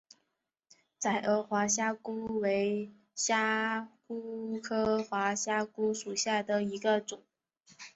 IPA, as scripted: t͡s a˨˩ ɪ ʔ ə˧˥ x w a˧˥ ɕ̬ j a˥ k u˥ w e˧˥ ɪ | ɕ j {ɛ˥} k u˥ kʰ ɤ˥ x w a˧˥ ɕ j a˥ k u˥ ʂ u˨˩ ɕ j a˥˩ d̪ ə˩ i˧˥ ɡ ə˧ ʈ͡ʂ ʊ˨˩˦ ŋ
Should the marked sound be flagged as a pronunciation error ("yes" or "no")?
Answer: yes